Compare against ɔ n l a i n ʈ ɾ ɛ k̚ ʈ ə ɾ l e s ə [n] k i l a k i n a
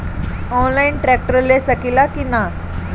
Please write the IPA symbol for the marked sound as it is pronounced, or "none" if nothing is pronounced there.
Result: none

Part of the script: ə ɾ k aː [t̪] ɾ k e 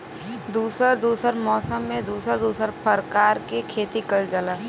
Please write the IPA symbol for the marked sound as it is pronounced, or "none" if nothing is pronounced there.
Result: none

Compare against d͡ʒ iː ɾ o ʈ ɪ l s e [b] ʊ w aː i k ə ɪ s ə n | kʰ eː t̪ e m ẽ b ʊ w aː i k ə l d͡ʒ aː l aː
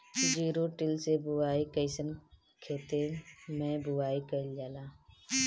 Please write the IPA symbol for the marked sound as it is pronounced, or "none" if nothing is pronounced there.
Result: b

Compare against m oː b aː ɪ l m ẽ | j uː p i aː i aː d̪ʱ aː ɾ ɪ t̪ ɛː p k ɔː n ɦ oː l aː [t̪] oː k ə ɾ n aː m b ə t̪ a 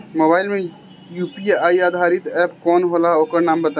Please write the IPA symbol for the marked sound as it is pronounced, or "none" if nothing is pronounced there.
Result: none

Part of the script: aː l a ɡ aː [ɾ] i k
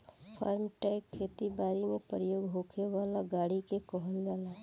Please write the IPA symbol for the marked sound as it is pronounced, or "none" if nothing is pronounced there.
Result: ɽ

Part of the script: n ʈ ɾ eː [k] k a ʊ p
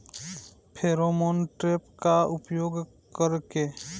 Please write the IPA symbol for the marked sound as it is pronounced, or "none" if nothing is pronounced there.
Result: p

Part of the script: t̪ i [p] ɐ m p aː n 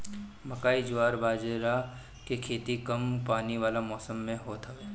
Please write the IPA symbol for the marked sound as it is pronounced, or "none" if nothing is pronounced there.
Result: k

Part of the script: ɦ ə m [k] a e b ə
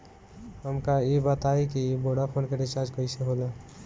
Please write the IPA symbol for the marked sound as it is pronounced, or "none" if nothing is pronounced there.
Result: k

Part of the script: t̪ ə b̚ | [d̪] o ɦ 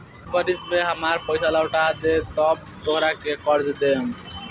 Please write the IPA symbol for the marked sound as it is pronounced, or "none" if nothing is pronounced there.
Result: t̪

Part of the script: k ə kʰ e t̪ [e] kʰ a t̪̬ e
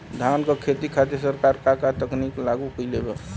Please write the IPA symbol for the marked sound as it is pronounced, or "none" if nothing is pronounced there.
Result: i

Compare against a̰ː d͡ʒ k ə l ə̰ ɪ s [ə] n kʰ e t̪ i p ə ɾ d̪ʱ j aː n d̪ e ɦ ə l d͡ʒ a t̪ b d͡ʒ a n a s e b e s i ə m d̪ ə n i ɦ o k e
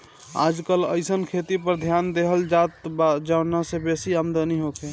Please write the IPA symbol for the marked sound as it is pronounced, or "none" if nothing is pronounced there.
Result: ə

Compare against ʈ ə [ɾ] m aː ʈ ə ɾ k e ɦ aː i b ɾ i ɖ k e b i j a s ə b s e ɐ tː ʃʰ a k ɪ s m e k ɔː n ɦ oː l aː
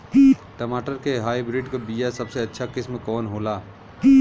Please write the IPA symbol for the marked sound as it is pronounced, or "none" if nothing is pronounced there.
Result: none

